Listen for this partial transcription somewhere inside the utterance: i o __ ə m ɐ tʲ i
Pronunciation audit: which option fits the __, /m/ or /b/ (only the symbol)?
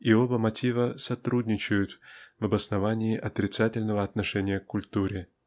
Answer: b